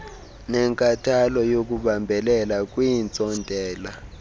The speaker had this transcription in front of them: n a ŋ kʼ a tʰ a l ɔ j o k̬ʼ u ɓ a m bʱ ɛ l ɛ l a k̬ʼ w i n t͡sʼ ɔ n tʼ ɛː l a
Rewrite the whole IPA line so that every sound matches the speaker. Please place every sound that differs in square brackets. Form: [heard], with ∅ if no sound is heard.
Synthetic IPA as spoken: n [ɛ] ŋ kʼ a tʰ a l ɔ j o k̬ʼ u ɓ a m bʱ ɛ l ɛ l a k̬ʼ w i n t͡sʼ ɔ n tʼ ɛː l a